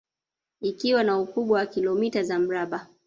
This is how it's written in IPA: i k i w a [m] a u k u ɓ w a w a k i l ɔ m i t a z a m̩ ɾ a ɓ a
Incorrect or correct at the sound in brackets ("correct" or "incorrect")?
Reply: incorrect